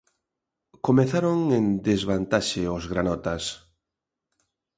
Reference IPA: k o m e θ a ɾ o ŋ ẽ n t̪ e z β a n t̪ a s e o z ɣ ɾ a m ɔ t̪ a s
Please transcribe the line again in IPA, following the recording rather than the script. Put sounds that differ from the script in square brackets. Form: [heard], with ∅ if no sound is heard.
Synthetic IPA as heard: k o m e θ a ɾ o ŋ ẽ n [d̪] e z β a n t̪ a [ʃ] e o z ɣ ɾ a [n] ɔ t̪ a s